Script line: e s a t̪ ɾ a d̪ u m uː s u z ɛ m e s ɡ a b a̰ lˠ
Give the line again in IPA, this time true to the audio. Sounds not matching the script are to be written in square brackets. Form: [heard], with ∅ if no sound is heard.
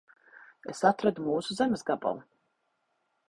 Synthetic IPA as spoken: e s a t̪ ɾ a d̪ u m uː s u z ɛ m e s ɡ a b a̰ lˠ